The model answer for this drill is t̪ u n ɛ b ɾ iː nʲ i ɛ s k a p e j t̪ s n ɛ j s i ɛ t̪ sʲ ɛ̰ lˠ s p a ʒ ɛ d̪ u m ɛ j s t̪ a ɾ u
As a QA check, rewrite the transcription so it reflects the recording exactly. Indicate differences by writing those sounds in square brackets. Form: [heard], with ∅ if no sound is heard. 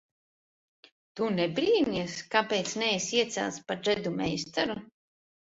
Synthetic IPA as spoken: t̪ u n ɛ b ɾ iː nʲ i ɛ s k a p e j t̪ s n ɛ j s i ɛ t̪ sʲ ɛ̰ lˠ s p a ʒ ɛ d̪ u m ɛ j s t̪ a ɾ u